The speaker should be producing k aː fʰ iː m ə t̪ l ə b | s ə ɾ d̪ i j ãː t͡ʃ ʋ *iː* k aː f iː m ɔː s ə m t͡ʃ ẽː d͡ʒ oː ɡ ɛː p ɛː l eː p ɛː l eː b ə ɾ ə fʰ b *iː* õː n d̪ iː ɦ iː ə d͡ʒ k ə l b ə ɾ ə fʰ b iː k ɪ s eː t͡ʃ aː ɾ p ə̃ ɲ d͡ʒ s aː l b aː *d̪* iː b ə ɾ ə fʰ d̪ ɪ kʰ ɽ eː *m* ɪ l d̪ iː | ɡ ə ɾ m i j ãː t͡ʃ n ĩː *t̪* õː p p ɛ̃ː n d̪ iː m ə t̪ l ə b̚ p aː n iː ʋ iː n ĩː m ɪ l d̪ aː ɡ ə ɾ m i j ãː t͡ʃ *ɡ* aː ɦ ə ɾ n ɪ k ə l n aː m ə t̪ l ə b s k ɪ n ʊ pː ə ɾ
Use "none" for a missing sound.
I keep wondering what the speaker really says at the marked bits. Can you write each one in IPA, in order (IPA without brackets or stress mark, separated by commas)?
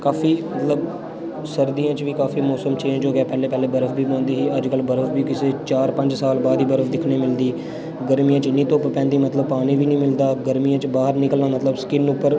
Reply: iː, iː, d̪, m, t̪, b